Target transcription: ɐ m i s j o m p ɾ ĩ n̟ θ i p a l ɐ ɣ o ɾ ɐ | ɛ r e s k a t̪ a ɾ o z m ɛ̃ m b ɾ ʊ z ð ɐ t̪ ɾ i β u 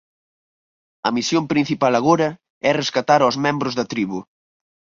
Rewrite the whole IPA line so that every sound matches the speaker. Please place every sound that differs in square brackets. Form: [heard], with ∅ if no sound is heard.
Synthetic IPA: ɐ m i s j o m p ɾ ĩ n̟ θ i p a l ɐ ɣ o ɾ ɐ | ɛ r e s k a t̪ a ɾ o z m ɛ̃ m b ɾ ʊ z ð ɐ t̪ ɾ i β u